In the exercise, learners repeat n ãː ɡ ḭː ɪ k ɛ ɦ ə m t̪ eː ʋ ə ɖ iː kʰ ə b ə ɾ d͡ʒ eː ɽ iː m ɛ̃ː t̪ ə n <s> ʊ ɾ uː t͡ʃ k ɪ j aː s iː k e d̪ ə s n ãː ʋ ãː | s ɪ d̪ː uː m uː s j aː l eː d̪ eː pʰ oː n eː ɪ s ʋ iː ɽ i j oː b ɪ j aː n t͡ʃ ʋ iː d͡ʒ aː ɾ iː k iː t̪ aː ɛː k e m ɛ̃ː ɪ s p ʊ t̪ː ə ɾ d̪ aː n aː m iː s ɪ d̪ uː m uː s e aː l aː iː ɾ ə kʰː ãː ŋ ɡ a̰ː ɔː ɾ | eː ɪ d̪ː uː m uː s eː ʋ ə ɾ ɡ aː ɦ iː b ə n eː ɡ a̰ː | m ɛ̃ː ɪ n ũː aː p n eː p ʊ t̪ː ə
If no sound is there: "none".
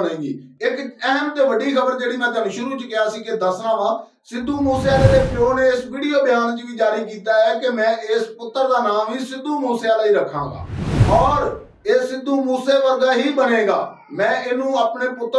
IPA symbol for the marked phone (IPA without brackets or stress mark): ʃ